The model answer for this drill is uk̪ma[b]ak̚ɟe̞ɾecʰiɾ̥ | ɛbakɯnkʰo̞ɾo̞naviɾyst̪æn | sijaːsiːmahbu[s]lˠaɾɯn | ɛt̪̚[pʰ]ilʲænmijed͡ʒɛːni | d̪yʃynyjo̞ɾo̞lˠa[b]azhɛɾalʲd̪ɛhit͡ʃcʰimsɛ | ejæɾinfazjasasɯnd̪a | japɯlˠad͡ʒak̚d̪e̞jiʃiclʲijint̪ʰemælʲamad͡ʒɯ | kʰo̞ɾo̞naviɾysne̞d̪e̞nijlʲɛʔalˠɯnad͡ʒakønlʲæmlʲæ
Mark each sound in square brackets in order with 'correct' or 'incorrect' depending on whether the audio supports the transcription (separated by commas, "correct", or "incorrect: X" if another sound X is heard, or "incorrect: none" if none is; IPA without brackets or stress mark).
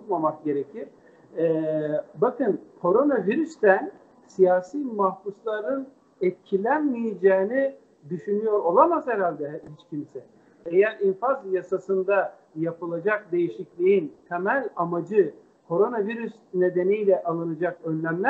incorrect: m, correct, incorrect: cʰ, incorrect: m